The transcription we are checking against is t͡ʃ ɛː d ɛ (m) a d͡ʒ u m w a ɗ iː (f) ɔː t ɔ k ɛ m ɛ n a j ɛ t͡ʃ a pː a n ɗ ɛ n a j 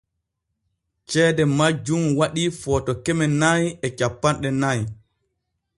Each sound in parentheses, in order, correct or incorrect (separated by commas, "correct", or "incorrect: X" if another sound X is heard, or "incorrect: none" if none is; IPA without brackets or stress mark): correct, correct